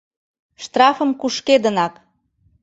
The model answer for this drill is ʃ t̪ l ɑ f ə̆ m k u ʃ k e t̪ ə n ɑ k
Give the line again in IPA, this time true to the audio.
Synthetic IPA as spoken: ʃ t̪ r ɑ f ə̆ m k u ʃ k e d̪ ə n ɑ k